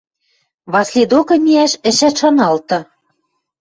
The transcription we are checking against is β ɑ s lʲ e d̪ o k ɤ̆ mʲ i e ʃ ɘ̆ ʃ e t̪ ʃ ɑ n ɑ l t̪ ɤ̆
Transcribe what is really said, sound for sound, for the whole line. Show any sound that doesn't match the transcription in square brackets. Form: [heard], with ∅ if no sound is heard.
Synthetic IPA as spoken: β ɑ s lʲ e d̪ o k ɤ̆ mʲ i [æ] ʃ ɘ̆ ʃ [æ] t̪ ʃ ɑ n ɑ l t̪ ɤ̆